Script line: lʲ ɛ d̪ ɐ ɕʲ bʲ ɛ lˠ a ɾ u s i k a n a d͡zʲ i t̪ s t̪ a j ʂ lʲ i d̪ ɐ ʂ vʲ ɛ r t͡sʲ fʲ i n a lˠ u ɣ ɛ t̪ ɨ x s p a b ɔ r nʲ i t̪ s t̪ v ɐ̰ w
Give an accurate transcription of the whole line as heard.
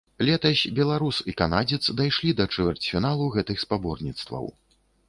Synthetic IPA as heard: lʲ ɛ t̪ ɐ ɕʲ bʲ ɛ lˠ a ɾ u s i k a n a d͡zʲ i t̪ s d̪ a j ʂ lʲ i d̪ ɐ t͡ʂ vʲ ɛ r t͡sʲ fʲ i n a lˠ u ɣ ɛ t̪ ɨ x s p a b ɔ r nʲ i t̪ s t̪ v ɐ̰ w